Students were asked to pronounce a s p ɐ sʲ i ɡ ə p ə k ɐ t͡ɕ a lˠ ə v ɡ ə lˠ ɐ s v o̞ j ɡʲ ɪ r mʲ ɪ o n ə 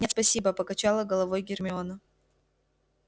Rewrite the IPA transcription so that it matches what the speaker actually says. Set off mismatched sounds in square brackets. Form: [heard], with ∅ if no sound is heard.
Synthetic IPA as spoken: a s p ɐ sʲ i [b] ə p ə k ɐ t͡ɕ a lˠ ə [∅] ɡ ə lˠ ɐ [∅] v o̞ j ɡʲ ɪ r mʲ ɪ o n ə